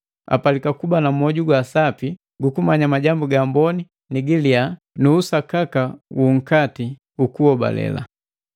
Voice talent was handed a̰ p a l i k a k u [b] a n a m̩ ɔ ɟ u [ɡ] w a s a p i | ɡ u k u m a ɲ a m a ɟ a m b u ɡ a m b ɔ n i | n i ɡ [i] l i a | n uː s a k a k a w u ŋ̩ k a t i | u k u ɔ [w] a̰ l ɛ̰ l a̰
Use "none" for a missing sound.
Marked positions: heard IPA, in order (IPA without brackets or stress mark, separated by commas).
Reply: b, ɡ, i, b